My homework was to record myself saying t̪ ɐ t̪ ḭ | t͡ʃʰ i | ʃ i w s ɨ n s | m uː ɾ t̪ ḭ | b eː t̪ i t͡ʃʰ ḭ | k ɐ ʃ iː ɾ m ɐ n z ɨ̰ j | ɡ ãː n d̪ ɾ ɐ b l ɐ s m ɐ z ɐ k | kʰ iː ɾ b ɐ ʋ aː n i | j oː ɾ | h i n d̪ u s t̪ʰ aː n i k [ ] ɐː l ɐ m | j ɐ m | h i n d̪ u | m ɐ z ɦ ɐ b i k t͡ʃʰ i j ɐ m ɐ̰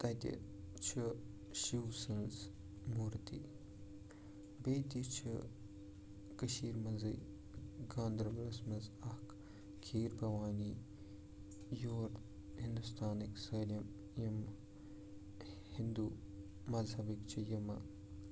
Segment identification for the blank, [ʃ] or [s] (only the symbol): s